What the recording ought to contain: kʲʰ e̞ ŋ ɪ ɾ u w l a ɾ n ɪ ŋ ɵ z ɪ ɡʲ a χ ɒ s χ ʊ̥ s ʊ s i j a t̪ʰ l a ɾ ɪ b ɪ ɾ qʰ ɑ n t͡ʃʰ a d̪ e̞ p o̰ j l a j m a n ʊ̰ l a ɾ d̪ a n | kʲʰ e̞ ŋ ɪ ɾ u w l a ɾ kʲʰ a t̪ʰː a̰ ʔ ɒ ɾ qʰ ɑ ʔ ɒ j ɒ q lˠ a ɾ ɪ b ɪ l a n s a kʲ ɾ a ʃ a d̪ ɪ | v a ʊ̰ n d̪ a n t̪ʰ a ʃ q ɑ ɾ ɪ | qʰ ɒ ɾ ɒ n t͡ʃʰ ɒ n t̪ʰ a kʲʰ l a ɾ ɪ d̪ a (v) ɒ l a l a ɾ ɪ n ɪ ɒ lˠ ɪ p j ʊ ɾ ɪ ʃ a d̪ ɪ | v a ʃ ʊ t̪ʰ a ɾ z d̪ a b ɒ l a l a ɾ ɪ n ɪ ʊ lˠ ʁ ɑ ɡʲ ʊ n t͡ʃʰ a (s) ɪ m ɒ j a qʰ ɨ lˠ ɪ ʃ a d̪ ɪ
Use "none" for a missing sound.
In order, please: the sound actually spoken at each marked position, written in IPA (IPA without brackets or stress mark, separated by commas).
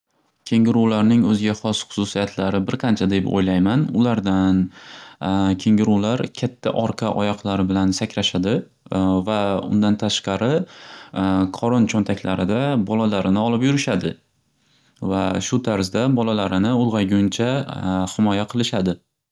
b, h